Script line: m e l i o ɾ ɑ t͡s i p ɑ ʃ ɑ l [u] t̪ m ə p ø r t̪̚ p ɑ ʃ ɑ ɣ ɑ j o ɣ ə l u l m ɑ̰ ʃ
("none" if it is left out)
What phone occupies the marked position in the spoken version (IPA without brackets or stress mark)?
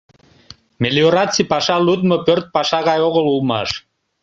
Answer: u